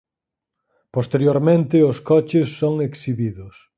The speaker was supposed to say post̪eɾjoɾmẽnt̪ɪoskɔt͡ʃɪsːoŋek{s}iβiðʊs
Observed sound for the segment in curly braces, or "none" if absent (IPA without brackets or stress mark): s